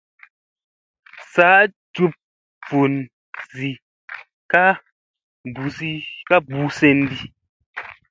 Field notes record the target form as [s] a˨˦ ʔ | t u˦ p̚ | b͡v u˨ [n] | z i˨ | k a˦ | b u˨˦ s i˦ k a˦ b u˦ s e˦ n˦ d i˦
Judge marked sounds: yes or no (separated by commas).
yes, yes